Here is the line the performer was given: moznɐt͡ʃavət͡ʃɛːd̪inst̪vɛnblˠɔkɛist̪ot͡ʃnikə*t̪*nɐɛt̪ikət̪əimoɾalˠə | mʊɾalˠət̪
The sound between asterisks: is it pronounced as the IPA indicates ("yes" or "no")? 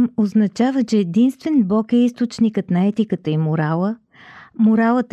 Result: yes